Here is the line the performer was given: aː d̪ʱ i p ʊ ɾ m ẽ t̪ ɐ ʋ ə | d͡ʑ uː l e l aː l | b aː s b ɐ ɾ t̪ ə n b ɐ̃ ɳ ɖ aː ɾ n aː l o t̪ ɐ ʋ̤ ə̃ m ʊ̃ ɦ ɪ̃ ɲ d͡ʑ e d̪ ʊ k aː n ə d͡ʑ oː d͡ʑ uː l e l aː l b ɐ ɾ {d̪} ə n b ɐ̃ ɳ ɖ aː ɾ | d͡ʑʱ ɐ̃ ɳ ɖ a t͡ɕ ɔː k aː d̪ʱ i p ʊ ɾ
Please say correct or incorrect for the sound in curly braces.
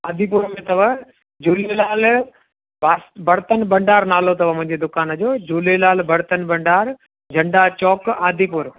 incorrect